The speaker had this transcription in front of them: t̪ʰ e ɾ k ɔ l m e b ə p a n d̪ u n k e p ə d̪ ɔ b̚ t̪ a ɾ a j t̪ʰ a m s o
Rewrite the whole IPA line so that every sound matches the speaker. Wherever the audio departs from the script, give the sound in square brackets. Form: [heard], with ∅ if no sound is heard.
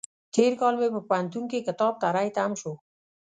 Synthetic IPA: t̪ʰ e ɾ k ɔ l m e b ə p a n [t̪] u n k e [k] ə [t̪] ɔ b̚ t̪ a ɾ a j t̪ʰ a m [ʃ] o